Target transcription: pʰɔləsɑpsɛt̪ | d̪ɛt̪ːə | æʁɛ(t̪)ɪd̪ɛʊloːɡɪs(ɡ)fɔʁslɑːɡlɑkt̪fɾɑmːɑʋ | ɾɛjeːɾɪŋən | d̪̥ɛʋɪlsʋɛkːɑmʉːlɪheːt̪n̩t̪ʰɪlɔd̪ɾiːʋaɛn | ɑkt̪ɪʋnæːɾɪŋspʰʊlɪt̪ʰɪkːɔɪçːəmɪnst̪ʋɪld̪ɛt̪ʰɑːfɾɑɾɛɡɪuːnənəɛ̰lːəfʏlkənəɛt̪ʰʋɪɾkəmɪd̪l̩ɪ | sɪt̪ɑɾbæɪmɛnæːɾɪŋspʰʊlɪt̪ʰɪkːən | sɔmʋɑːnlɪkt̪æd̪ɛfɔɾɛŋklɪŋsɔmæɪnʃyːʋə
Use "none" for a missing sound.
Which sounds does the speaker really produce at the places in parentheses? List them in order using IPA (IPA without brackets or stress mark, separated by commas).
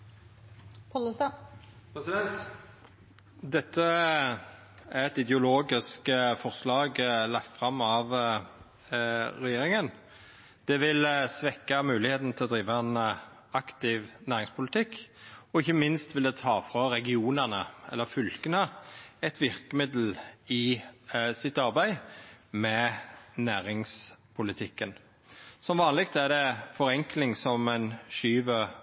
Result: t̪, k